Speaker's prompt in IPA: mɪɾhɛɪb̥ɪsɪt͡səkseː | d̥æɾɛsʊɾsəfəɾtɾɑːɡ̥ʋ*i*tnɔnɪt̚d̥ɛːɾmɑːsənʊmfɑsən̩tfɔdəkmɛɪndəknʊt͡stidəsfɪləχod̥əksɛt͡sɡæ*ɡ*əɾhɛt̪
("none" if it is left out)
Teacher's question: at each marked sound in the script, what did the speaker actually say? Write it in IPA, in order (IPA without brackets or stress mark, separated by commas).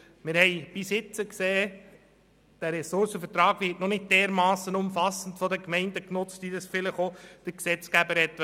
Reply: ɪ, b